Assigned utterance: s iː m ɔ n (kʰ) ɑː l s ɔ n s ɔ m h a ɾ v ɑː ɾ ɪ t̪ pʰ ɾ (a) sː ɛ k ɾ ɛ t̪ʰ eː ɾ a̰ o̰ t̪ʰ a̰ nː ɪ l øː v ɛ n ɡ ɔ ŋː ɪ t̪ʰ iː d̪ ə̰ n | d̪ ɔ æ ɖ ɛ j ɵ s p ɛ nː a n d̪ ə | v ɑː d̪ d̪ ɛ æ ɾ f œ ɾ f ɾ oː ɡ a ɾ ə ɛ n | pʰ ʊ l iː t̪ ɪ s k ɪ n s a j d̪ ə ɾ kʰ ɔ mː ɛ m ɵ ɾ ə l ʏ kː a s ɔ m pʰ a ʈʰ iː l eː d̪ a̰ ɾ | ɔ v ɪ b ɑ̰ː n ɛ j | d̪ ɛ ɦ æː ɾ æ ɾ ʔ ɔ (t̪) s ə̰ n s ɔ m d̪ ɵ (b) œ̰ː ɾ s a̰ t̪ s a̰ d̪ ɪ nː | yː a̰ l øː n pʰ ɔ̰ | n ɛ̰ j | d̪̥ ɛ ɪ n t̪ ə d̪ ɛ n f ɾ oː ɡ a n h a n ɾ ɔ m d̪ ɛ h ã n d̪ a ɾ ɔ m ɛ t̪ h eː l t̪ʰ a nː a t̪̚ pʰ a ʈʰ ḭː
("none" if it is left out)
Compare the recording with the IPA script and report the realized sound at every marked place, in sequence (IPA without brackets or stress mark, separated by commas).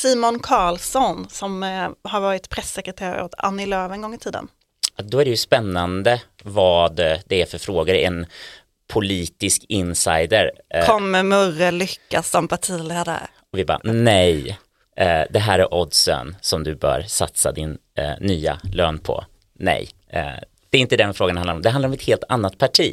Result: kʰ, ɛ, d̪, b